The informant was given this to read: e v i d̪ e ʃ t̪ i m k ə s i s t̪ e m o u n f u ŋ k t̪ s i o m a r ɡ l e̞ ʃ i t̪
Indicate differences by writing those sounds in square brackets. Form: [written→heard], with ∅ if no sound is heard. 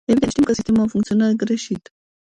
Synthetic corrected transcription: e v i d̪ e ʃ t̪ i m k ə s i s t̪ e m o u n f u ŋ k t̪ s i o [m→n] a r ɡ [l→ɾ] e̞ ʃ i t̪